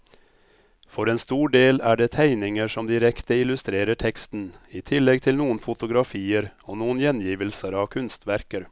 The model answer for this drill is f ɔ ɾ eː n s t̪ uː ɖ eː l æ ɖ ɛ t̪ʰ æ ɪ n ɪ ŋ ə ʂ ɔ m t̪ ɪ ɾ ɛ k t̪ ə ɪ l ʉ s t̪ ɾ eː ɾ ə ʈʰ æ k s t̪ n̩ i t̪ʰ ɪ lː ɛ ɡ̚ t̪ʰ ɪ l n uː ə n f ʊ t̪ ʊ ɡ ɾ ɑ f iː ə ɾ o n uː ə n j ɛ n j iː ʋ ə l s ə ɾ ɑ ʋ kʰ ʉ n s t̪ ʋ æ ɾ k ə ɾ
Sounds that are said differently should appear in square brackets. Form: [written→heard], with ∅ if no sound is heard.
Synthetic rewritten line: f ɔ ɾ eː n s t̪ uː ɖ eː l æ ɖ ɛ t̪ʰ æ ɪ n ɪ ŋ ə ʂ ɔ m [t̪→d̪] ɪ ɾ ɛ k t̪ ə ɪ l ʉ s t̪ ɾ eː ɾ ə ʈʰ [æ→ɛ] k s t̪ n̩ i t̪ʰ ɪ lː ɛ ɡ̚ t̪ʰ ɪ l n uː ə n f ʊ t̪ ʊ ɡ ɾ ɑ f iː ə ɾ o n uː ə n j ɛ n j iː ʋ ə l s ə ɾ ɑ ʋ kʰ ʉ n s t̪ ʋ æ ɾ k ə ɾ